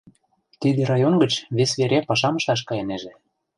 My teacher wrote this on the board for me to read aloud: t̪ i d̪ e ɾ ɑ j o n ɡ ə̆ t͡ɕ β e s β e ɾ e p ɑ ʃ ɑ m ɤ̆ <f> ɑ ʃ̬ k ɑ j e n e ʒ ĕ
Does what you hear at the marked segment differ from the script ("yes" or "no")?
yes